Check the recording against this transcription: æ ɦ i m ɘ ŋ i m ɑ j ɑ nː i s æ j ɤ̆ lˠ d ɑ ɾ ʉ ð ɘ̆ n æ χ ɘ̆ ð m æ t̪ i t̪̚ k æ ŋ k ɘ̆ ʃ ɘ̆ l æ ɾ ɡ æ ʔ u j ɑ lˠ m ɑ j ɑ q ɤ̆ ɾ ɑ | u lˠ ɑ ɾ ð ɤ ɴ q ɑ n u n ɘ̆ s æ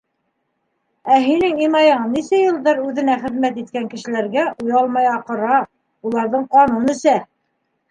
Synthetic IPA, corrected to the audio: æ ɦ i n ɘ ŋ i m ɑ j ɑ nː i s æ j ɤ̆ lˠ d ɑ ɾ ʉ ð ɘ̆ n æ χ ɘ̆ ð m æ t̪ i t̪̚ k æ ŋ k ɘ̆ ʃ ɘ̆ l æ ɾ ɡ æ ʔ u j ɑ lˠ m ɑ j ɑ q ɤ̆ ɾ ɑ | u lˠ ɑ ɾ ð ɤ ɴ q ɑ n u n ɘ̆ s æ